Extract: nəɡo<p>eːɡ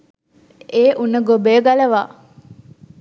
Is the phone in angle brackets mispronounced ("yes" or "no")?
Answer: yes